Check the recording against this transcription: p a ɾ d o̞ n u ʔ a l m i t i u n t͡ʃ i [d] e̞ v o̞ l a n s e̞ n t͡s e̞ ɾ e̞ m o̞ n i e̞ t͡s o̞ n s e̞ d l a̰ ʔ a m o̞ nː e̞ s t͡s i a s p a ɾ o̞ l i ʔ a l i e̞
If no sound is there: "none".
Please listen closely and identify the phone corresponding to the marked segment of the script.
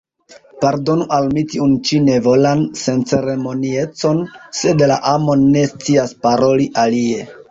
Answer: n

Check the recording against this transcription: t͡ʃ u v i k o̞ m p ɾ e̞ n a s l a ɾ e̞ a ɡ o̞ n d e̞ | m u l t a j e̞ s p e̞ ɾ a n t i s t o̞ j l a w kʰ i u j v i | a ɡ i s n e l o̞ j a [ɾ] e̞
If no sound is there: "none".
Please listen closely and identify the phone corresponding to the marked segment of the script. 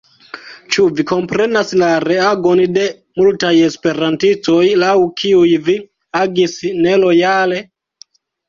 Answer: l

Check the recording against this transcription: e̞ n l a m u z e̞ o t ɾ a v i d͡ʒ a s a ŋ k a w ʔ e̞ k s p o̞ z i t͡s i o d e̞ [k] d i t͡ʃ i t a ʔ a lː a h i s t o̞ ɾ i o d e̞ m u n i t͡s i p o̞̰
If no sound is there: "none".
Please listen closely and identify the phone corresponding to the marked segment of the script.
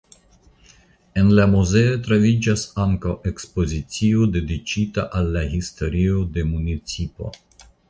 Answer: none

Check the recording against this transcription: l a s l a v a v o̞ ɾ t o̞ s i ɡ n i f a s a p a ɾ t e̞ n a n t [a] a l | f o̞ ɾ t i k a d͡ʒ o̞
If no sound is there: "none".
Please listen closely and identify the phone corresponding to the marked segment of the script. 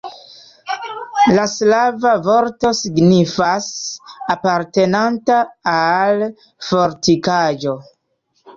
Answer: a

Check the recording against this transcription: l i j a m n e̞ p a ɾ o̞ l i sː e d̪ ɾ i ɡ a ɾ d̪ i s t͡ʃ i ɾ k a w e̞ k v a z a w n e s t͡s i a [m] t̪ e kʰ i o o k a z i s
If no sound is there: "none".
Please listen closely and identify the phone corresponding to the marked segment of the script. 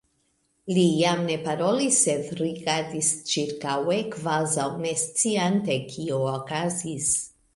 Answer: n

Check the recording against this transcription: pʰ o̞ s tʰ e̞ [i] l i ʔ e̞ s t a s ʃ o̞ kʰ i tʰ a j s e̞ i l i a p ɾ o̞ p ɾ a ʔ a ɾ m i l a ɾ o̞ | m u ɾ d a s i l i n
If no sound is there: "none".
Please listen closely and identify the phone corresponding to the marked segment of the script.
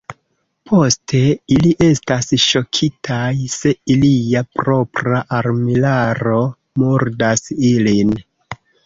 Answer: i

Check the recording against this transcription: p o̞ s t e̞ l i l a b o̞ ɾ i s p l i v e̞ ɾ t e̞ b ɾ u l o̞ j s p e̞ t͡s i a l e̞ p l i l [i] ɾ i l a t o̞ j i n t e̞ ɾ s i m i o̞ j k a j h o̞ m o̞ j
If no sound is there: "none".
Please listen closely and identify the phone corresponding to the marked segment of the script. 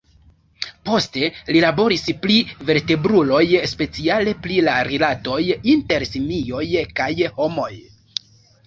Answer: a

